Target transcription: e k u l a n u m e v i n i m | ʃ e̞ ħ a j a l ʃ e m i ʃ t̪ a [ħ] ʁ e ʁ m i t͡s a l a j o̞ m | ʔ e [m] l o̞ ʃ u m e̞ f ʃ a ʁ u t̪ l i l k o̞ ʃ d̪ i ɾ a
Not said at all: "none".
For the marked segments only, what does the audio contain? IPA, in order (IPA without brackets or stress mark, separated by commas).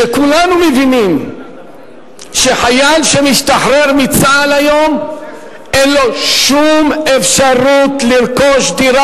ħ, n